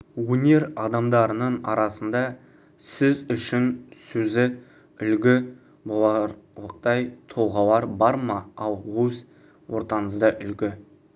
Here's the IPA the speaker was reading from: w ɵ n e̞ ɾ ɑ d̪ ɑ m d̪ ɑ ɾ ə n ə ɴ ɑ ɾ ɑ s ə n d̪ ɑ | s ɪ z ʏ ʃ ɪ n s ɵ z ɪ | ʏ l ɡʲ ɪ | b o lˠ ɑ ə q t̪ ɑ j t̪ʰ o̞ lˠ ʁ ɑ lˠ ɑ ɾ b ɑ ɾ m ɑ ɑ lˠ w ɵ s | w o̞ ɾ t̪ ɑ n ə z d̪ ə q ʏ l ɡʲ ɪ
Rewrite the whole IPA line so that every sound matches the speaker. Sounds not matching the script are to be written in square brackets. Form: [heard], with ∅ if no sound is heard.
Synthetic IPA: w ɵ n e̞ ɾ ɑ d̪ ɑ m d̪ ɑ ɾ ə n ə ɴ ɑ ɾ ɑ s ə n d̪ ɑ | s ɪ z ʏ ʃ ɪ n s ɵ z ɪ | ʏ l ɡʲ ɪ | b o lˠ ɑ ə q t̪ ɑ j t̪ʰ o̞ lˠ ʁ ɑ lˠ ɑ ɾ b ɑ ɾ m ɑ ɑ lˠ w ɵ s | w o̞ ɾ t̪ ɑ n ə z d̪ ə [ʔ] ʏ l ɡʲ ɪ